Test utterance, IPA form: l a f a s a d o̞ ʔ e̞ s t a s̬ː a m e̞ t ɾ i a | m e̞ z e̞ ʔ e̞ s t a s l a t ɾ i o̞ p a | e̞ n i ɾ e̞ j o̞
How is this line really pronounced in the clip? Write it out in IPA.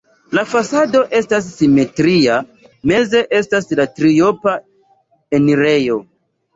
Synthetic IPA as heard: l a f a s a d o̞ ʔ e̞ s t a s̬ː i m e̞ t ɾ i a | m e̞ z e̞ ʔ e̞ s t a s l a t ɾ i o̞ p a | e̞ n i ɾ e̞ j o̞

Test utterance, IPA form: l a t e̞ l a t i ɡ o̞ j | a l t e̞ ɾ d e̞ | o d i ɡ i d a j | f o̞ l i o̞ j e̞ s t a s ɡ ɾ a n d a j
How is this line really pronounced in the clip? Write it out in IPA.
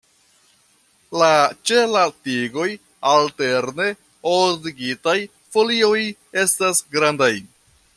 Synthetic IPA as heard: l a t͡ʃ e̞ l a t i ɡ o̞ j | a l t e̞ ɾ n e̞ | o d i ɡ i t a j | f o̞ l i o̞ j e̞ s t a s ɡ ɾ a n d a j

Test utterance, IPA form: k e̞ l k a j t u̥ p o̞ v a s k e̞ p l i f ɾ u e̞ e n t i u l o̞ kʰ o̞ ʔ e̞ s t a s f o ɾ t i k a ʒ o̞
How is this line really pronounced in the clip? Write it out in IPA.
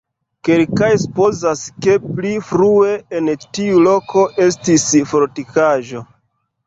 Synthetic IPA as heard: k e̞ l k a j s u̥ p o̞ z a s k e̞ p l i f ɾ u e̞ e n t i u l o̞ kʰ o̞ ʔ e̞ s t i s f o ɾ t i k a ʒ o̞

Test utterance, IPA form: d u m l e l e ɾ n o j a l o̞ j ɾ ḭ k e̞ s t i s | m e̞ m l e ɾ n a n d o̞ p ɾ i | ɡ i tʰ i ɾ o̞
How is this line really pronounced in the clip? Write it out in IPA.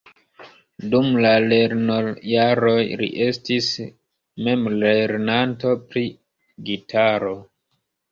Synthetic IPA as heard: d u m l a l e ɾ n o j a ɾ o̞ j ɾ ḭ ʔ e̞ s t i s | m e̞ m l e ɾ n a n t o̞ p ɾ i | ɡ i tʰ a ɾ o̞

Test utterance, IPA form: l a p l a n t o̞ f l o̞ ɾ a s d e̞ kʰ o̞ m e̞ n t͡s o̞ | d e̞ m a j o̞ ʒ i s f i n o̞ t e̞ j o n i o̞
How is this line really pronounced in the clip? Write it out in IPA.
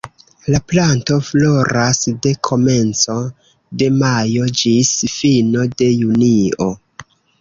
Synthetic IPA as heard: l a p l a n t o̞ f l o̞ ɾ a s d e̞ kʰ o̞ m e̞ n t͡s o̞ | d e̞ m a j o̞ d͡ʒ i s f i n o̞ d e̞ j u n i o̞

